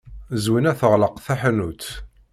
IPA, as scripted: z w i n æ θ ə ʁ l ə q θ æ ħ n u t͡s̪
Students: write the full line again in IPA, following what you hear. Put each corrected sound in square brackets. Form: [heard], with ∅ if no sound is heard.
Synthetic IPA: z w i n æ θ ə ʁ l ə q θ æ ħ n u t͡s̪